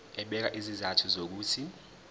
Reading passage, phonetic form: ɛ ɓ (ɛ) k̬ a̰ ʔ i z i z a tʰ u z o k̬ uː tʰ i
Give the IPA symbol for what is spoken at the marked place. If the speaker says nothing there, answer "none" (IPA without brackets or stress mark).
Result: ɛ